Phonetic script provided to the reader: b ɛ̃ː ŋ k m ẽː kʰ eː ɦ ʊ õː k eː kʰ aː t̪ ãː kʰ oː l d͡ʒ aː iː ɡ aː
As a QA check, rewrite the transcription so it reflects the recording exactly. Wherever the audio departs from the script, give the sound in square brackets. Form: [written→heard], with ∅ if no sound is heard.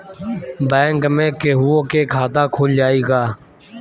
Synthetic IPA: b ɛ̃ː ŋ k m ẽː [kʰ→k] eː ɦ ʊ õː k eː kʰ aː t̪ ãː kʰ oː l d͡ʒ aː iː ɡ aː